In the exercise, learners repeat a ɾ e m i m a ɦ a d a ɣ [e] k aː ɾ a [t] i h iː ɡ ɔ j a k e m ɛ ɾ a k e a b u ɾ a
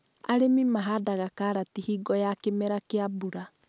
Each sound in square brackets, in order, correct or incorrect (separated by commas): incorrect, correct